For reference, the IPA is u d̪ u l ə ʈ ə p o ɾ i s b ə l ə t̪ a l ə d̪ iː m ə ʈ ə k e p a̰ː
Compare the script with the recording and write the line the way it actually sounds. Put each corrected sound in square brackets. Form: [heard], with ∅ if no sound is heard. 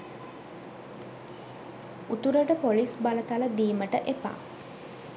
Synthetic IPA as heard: u [t̪] u [ɾ] ə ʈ ə p o [l] i s b [a] l ə t̪ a l ə d̪ iː m ə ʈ ə [ʔ] e p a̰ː